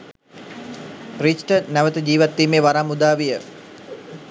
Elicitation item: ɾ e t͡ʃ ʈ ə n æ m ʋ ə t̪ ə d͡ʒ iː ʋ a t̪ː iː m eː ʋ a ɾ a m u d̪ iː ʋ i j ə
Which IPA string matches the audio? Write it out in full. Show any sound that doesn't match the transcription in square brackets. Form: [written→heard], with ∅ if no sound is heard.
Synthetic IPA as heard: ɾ [e→i] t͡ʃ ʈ ə n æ [m→∅] ʋ ə t̪ ə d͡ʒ iː ʋ a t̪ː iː m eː ʋ a ɾ a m u d̪ [iː→aː] ʋ i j ə